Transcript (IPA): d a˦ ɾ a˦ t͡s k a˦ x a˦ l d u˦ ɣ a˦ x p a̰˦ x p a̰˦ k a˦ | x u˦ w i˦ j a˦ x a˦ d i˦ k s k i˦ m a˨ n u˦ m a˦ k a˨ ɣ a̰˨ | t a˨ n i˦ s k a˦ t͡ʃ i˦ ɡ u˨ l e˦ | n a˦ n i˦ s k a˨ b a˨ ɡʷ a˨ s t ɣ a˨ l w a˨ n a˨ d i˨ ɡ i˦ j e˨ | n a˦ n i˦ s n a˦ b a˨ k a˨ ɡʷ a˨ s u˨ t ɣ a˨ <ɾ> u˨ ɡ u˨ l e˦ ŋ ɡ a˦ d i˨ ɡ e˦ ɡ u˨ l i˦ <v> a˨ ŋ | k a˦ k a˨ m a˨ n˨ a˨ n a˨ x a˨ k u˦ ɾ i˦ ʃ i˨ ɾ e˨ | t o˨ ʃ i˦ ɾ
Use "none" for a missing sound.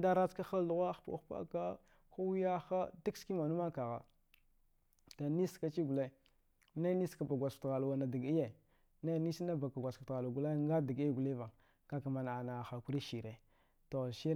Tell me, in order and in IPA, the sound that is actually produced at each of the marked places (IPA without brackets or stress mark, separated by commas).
l, v